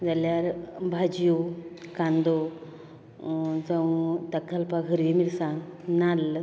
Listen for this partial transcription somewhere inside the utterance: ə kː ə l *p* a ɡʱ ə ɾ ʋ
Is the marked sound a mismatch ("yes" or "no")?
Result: no